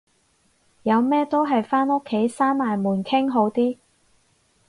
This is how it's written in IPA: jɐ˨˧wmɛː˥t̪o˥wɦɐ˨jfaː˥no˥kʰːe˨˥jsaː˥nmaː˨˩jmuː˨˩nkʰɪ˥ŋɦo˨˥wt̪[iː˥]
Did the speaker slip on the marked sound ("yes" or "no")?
no